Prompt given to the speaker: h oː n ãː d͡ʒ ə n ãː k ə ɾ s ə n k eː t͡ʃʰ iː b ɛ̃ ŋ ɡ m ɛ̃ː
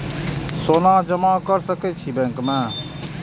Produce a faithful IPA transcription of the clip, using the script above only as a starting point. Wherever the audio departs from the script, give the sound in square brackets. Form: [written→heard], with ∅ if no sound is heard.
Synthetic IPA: [h→s] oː n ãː d͡ʒ ə [n→m] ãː k ə ɾ s ə [n→∅] k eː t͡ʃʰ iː b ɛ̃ ŋ [ɡ→k] m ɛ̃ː